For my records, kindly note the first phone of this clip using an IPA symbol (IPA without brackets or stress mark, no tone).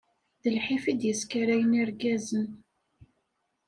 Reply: ð